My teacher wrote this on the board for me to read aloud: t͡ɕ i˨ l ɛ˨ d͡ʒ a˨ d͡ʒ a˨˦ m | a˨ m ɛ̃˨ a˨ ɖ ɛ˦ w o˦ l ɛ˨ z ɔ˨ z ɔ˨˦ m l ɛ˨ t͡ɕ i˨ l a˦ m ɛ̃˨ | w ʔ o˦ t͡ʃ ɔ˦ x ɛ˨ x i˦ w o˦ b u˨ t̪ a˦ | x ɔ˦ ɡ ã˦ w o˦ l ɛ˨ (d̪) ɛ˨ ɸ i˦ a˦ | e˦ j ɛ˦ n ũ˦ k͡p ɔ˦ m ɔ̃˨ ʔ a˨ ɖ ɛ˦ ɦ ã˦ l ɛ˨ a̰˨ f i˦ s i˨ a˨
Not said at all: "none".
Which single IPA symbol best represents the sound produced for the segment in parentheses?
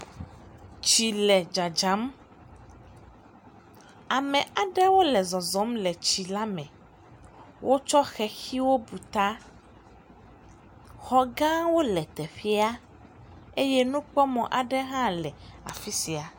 t̪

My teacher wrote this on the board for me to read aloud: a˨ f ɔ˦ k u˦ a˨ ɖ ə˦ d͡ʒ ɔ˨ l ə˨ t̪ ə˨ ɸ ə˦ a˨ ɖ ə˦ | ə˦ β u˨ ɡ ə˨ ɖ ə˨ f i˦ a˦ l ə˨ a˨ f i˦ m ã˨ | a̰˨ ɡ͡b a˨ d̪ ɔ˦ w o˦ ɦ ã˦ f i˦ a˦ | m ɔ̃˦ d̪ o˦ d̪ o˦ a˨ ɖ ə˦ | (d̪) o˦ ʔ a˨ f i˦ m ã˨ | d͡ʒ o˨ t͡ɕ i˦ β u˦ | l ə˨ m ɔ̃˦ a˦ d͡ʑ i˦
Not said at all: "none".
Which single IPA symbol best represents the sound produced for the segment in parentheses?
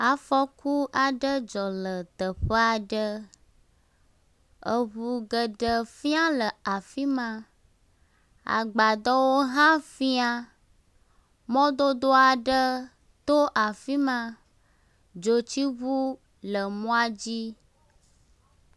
t̪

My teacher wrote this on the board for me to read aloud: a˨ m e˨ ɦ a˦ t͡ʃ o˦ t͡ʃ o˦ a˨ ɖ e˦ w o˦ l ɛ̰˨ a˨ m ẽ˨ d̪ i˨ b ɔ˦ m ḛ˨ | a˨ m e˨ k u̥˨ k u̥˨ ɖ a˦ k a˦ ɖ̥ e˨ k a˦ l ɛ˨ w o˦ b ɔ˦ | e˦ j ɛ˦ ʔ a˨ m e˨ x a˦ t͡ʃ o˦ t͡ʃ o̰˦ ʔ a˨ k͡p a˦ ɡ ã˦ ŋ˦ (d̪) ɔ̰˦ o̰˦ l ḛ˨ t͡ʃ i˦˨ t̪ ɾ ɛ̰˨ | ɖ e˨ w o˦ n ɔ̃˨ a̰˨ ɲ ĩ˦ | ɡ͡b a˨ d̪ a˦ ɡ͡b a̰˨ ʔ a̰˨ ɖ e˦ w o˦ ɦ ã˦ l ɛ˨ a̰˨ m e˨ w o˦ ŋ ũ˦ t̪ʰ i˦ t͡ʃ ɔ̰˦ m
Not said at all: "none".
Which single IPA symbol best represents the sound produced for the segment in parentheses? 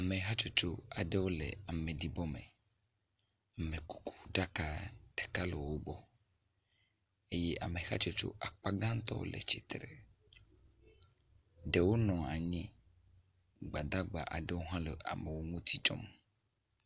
t̪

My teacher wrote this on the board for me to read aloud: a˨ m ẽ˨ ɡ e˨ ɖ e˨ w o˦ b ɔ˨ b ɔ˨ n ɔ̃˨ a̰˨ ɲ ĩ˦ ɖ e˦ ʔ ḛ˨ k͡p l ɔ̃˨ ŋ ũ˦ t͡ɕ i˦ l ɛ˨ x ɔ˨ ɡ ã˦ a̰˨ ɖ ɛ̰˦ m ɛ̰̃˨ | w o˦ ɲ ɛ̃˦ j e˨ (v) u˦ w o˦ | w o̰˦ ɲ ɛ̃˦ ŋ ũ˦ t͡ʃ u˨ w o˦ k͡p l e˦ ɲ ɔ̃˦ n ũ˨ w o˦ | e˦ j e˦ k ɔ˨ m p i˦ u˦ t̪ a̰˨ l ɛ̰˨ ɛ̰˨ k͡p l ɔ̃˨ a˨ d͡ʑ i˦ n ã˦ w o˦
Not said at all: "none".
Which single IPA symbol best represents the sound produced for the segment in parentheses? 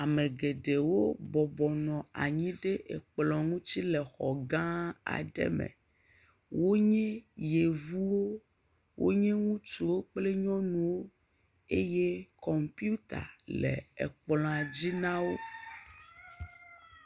v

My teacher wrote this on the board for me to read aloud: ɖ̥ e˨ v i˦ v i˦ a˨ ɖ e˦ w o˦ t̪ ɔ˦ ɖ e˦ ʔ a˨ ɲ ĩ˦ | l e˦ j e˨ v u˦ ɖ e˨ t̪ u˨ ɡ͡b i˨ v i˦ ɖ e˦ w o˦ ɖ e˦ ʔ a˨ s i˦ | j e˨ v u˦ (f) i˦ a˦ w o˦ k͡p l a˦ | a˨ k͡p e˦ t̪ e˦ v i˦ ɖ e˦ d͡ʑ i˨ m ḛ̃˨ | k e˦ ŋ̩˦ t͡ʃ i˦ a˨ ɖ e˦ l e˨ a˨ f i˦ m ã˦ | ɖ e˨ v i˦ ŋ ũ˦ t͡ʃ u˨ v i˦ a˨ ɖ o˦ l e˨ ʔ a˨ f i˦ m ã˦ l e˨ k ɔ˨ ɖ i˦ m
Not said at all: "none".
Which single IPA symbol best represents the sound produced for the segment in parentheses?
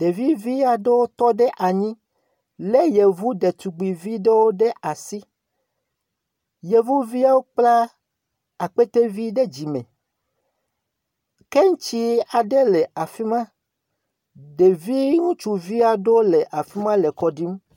v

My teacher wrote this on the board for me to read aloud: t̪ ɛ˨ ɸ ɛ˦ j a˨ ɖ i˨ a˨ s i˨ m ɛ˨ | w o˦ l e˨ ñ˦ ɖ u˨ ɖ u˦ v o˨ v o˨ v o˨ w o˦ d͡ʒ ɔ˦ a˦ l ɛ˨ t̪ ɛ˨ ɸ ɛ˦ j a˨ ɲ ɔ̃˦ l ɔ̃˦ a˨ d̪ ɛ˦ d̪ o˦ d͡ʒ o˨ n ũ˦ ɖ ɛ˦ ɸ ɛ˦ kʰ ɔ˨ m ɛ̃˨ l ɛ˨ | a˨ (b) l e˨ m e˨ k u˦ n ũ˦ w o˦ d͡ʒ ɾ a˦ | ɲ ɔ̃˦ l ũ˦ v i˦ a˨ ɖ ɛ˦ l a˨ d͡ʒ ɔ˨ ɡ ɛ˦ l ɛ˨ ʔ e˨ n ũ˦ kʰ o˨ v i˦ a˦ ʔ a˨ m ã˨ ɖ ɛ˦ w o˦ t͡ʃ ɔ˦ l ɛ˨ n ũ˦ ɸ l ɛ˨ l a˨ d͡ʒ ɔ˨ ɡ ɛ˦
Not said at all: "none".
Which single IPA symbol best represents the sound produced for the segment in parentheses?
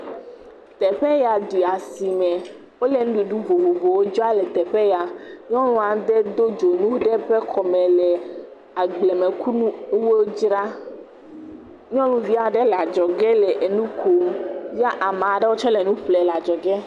ɡ͡b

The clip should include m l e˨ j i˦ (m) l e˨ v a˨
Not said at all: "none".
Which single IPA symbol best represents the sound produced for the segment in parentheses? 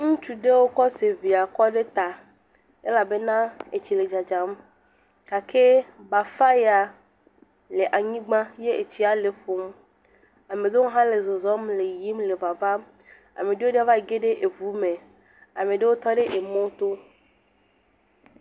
m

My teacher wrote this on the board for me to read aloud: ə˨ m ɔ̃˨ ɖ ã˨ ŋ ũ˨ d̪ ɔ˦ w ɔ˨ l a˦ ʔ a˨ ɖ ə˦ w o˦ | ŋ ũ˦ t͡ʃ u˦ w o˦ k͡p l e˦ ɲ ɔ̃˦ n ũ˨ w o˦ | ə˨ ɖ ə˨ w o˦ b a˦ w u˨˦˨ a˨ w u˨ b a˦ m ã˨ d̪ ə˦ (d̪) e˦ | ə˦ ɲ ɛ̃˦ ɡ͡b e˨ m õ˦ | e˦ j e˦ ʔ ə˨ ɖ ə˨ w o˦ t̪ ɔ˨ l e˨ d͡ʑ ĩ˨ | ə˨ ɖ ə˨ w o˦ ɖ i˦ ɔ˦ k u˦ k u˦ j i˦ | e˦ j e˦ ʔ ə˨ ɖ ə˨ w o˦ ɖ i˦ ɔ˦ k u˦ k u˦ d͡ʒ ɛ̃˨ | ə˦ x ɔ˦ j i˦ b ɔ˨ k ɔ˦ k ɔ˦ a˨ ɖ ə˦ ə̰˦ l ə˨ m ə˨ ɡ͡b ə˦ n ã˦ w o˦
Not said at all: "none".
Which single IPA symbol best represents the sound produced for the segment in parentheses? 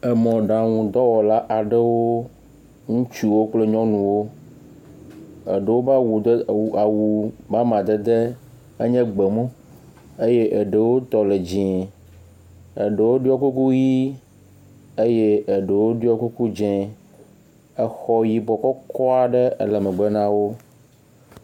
d̪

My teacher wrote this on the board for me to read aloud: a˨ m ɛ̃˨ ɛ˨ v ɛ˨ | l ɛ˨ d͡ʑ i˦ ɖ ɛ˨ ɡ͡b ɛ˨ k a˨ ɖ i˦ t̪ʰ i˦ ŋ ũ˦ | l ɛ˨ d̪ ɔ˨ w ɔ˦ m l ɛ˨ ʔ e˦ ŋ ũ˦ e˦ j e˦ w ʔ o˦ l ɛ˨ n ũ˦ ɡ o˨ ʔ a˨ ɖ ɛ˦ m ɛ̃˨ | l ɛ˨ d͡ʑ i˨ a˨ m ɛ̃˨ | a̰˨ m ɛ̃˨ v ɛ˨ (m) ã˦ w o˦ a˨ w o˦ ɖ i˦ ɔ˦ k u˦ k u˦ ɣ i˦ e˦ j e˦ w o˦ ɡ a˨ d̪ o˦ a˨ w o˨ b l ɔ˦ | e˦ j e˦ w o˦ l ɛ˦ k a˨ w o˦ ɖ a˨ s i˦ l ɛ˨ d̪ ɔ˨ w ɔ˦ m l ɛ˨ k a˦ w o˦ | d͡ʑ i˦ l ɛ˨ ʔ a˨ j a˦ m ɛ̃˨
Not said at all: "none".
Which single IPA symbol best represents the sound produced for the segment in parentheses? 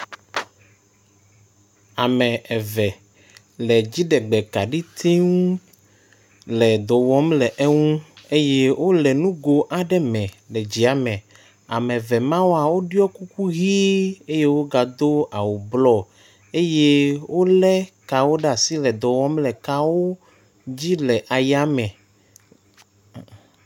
m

